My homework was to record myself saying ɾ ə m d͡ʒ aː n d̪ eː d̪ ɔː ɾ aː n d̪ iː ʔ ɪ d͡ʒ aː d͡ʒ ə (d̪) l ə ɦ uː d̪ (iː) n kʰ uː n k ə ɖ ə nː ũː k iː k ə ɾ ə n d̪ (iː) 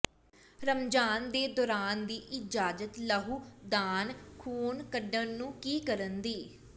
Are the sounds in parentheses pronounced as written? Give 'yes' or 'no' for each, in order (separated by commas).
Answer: no, no, yes